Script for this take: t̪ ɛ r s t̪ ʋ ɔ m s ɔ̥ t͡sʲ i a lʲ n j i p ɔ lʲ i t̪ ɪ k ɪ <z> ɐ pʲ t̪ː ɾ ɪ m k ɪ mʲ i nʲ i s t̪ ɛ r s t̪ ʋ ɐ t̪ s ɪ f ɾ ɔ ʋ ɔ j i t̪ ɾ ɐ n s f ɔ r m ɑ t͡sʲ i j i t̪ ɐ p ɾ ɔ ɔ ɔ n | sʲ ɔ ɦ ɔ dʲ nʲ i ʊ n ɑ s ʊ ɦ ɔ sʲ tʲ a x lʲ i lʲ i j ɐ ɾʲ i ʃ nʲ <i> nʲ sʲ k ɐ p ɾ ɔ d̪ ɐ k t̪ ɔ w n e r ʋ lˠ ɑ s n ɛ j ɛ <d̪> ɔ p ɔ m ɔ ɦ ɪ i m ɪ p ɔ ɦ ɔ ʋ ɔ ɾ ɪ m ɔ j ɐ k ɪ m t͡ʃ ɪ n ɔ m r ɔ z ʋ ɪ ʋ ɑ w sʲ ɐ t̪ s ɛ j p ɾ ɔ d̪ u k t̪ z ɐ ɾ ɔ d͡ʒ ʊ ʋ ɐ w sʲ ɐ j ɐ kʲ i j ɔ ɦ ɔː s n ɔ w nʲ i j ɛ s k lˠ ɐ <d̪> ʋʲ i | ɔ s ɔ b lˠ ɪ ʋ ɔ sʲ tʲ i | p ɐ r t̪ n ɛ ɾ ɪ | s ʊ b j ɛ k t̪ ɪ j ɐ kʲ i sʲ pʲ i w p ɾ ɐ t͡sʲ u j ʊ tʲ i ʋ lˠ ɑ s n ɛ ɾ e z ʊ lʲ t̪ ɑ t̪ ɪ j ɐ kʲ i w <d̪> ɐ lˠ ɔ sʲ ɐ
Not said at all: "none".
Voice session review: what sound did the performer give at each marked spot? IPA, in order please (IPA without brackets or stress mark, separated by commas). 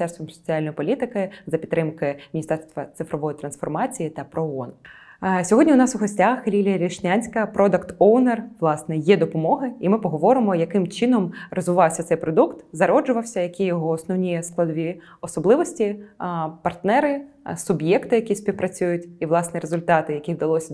z, a, d̪, d̪, d̪